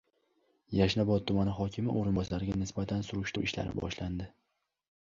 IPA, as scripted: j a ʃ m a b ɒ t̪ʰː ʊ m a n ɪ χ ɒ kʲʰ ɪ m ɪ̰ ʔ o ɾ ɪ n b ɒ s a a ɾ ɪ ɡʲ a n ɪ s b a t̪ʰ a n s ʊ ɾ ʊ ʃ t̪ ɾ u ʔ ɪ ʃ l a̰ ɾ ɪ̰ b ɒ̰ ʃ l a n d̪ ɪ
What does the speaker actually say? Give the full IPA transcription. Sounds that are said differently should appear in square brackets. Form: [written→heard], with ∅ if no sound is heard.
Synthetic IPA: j a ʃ [m→n] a b ɒ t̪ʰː ʊ m a n ɪ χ ɒ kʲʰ ɪ m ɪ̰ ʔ o ɾ ɪ n b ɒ s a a ɾ ɪ ɡʲ a n ɪ s b a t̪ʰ a n s ʊ ɾ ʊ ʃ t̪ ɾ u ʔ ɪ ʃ l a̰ ɾ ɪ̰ b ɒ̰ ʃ l a n d̪ ɪ